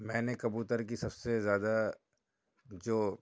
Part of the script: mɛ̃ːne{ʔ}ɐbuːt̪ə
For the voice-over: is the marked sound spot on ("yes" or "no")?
no